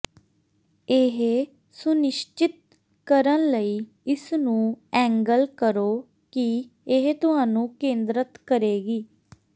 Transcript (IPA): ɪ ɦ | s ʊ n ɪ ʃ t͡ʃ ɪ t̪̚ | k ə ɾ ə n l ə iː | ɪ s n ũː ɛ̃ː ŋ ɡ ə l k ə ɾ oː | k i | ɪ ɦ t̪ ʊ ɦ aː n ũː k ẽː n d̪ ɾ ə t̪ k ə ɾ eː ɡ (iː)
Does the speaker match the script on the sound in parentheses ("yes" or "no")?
yes